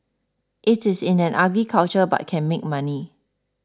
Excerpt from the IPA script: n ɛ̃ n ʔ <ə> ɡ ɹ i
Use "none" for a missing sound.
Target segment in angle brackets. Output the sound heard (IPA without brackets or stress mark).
a